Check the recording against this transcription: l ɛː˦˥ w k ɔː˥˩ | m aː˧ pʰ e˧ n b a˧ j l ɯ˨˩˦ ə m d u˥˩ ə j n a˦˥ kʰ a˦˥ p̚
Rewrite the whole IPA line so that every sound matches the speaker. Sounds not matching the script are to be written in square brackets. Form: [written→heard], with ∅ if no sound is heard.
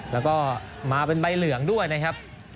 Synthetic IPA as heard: l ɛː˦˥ w k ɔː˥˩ | m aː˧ [pʰ→p] e˧ n b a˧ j l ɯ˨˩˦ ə [m→ŋ] d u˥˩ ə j n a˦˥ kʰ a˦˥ p̚